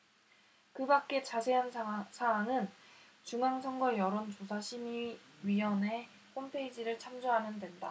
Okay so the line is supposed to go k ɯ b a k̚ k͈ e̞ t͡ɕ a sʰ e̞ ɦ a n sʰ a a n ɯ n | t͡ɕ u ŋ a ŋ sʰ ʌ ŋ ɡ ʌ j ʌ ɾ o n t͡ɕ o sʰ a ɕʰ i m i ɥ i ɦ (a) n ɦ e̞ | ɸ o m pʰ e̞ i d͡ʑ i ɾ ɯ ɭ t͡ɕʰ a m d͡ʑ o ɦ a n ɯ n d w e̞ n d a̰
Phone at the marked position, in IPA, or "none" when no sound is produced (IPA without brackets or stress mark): ʌ